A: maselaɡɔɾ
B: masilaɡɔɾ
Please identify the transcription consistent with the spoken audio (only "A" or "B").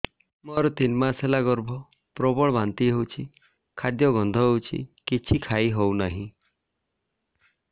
A